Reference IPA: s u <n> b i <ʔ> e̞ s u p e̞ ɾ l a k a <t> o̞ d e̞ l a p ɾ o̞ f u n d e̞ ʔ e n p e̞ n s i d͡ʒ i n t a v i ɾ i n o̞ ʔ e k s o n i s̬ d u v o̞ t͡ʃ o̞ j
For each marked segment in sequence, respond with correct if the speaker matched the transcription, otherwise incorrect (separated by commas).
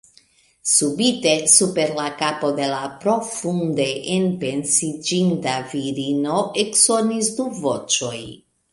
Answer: incorrect, incorrect, incorrect